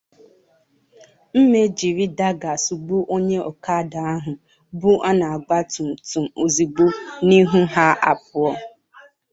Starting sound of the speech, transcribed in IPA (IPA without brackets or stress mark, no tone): m̩